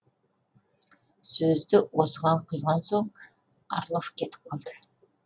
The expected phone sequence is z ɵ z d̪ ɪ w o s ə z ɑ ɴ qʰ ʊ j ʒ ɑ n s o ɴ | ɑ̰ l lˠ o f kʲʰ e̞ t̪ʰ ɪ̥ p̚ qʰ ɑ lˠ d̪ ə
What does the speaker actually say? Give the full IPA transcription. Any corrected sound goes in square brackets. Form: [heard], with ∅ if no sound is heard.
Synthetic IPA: [s] ɵ z d̪ ɪ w o s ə [ʁ] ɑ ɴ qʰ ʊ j [ʁ] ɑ n s o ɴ | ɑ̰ [ɾ] lˠ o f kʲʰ e̞ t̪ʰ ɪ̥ p̚ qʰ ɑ lˠ d̪ ə